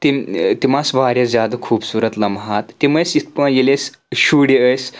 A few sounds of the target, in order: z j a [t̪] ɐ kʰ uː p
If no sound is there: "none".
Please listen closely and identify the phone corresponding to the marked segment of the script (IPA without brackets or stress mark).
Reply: d̪